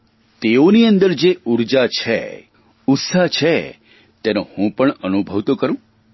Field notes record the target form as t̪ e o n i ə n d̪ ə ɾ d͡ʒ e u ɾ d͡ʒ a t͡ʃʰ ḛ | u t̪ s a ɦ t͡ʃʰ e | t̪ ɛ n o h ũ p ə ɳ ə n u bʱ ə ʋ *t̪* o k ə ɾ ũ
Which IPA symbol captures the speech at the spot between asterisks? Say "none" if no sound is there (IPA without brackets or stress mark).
t̪